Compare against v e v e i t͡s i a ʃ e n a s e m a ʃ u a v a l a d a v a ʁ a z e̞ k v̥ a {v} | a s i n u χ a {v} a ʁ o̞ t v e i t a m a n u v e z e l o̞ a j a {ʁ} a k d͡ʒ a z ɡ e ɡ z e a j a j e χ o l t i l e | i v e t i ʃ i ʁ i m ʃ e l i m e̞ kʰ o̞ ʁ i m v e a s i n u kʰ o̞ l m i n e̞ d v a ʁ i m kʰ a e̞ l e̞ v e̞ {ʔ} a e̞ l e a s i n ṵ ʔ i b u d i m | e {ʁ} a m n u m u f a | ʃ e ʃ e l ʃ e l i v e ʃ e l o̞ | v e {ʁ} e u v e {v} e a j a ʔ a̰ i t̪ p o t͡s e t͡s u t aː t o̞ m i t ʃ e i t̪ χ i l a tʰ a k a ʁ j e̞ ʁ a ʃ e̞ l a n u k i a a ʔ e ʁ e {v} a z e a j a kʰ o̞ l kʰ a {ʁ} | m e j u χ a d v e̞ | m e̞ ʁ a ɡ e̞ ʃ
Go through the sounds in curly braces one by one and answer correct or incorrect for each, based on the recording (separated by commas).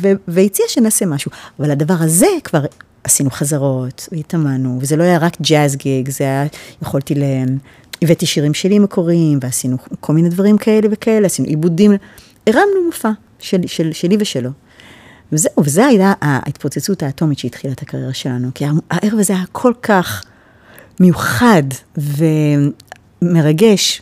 incorrect, incorrect, correct, incorrect, correct, incorrect, incorrect, correct, incorrect